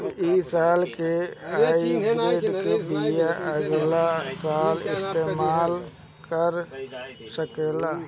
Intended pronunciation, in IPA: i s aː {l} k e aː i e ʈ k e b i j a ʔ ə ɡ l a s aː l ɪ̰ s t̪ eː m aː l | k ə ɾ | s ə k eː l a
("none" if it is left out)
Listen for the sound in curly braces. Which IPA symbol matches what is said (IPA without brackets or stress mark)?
l